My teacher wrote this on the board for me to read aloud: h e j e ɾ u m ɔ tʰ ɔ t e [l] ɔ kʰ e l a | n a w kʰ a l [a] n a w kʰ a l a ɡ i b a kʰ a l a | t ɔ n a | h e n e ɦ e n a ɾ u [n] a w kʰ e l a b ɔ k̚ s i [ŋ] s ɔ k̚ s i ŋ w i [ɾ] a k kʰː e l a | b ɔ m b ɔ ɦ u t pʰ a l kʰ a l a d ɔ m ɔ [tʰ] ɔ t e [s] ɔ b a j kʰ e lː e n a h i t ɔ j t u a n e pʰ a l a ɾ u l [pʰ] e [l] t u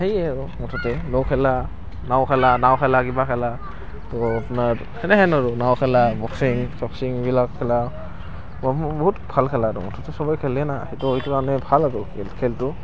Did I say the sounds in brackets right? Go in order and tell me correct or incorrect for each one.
correct, correct, correct, correct, incorrect: l, correct, correct, incorrect: kʰ, correct

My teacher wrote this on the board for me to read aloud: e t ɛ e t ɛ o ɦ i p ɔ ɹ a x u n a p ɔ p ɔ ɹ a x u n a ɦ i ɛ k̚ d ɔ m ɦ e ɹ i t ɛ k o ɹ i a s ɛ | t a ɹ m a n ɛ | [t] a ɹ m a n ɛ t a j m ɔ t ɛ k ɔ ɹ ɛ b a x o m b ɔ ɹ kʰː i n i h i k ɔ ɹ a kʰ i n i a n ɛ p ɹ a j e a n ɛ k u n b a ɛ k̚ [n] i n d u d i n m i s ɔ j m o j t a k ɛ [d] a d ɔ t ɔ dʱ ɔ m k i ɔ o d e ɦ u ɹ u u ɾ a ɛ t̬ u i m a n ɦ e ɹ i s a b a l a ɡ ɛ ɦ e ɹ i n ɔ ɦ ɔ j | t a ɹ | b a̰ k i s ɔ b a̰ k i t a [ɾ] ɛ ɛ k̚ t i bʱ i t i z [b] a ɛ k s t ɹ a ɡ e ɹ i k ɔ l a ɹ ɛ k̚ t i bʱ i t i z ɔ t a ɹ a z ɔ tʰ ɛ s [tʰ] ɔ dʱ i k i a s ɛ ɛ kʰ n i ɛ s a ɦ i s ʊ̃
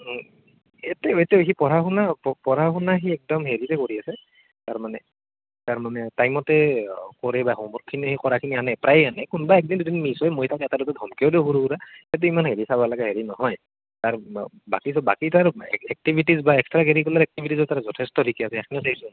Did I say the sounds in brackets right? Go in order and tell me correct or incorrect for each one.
correct, incorrect: d, incorrect: t, incorrect: ɹ, correct, incorrect: t

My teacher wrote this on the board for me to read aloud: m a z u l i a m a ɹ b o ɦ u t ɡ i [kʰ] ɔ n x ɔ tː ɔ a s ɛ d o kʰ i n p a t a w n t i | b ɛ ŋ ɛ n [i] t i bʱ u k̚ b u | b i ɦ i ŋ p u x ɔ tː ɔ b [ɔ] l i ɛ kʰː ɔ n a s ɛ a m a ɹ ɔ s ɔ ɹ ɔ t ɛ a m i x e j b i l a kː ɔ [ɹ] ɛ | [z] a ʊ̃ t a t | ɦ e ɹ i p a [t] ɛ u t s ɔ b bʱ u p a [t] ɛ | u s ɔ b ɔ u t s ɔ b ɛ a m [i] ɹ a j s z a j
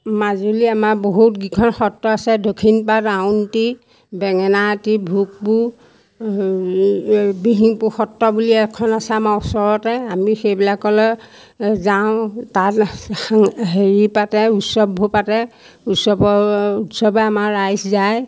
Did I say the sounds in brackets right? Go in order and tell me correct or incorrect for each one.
correct, incorrect: a, incorrect: u, incorrect: l, correct, correct, correct, incorrect: a

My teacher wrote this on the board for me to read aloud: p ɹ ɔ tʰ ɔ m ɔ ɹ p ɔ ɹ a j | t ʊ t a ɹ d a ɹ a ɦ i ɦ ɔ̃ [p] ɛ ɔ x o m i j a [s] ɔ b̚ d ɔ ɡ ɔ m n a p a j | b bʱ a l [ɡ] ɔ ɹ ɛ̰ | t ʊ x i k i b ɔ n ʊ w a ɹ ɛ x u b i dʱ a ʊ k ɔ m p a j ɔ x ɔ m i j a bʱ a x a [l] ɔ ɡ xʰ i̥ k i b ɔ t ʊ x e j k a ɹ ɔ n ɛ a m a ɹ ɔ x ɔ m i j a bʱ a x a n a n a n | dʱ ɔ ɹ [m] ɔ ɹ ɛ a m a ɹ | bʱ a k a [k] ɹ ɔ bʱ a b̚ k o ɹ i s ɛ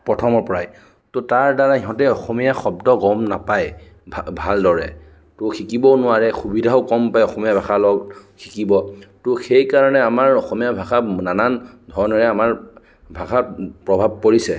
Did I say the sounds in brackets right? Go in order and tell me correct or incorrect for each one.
incorrect: t, incorrect: x, incorrect: d, correct, incorrect: n, incorrect: p

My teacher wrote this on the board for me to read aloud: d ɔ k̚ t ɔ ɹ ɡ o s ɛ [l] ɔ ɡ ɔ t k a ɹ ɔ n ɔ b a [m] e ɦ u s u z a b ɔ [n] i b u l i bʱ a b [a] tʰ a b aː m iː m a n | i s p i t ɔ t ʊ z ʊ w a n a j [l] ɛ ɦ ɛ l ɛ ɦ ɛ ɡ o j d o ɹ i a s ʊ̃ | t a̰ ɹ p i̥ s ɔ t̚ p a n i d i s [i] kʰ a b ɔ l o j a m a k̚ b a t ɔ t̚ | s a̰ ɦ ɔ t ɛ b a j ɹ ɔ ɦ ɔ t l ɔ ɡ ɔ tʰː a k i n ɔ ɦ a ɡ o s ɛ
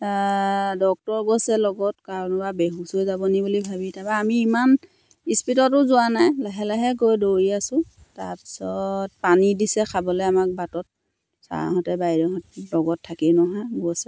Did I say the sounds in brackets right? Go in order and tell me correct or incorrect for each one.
correct, incorrect: b, correct, incorrect: i, correct, incorrect: ɛ

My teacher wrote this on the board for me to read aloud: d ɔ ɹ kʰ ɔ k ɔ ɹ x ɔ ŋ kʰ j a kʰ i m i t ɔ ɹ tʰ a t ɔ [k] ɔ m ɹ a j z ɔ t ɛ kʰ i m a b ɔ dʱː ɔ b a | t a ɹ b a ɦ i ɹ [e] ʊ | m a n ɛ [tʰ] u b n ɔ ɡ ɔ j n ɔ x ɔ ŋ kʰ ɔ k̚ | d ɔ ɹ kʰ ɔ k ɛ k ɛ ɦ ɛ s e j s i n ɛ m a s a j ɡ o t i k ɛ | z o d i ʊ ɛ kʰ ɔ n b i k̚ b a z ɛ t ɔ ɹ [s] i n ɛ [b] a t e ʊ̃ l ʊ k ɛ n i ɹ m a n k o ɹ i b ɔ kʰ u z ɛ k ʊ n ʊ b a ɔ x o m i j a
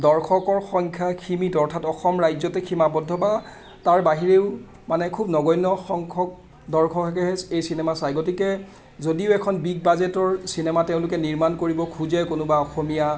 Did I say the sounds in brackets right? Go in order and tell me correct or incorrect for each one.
incorrect: x, correct, incorrect: kʰ, correct, incorrect: m

